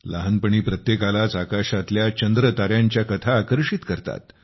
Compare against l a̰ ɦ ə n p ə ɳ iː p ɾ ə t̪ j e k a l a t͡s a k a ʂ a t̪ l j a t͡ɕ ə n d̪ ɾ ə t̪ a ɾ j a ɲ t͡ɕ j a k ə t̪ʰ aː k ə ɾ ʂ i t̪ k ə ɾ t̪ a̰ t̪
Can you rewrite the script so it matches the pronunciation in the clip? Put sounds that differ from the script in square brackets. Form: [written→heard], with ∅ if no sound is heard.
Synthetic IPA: l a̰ ɦ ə n p ə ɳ iː p ɾ ə t̪ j e k a l a t͡s a k a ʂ a t̪ l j a t͡ɕ ə n d̪ ɾ ə t̪ a ɾ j a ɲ t͡ɕ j a k ə t̪ʰ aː k ə ɾ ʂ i t̪ k ə ɾ t̪ a̰ t̪